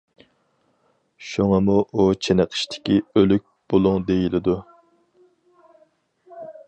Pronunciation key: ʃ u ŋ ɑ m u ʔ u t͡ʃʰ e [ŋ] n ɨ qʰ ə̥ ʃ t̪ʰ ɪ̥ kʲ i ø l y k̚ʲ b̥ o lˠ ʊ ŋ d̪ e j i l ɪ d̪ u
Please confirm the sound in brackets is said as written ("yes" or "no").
no